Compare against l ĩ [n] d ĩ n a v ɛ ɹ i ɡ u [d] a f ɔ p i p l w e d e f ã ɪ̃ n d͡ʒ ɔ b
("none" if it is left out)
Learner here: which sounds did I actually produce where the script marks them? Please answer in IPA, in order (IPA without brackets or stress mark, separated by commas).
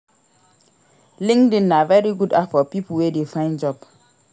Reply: ŋ, d